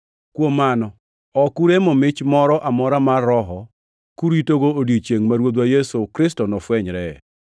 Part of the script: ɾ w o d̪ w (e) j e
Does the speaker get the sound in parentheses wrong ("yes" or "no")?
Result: yes